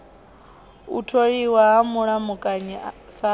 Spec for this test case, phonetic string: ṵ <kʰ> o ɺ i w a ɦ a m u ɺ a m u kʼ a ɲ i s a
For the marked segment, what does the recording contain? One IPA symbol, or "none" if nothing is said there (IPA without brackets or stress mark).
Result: tʰ